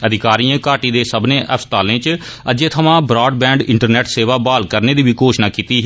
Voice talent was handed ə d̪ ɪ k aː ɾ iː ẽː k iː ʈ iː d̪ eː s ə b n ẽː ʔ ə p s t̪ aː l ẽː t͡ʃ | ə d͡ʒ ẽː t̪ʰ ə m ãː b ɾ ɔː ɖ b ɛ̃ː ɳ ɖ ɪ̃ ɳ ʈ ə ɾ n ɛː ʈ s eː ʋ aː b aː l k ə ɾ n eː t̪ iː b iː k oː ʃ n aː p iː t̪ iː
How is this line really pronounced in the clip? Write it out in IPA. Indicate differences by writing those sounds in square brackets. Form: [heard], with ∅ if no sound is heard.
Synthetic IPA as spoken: ə d̪ ɪ k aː ɾ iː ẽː k [aː] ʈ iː d̪ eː s ə b n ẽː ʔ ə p s t̪ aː l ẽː t͡ʃ | ə d͡ʒ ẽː t̪ʰ ə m ãː b ɾ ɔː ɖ b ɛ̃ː ɳ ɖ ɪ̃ ɳ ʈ ə ɾ n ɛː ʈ s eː ʋ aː b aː l k ə ɾ n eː [d̪] iː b iː k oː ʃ n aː [k] iː t̪ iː